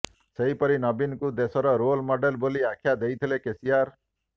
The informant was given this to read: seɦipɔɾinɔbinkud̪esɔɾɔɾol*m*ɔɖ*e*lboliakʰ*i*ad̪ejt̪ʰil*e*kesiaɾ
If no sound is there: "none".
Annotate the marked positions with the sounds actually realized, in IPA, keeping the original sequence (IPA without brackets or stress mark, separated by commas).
m, e, j, e